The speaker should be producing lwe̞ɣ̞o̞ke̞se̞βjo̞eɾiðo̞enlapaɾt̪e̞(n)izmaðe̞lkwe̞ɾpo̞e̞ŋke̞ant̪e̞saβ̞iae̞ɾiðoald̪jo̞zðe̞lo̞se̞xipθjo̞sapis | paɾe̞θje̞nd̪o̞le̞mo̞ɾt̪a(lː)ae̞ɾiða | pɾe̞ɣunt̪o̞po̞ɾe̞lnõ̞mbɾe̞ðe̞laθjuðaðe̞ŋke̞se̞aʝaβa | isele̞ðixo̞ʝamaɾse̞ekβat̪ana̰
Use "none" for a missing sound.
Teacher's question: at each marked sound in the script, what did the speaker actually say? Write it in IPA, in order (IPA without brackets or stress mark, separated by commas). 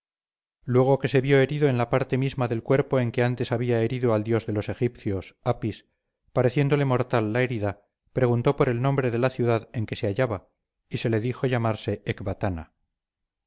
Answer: m, lː